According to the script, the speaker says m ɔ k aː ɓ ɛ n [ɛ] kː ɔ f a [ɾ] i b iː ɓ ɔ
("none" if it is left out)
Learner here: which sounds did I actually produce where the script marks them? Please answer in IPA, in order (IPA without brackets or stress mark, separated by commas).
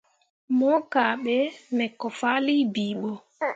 ɛ, l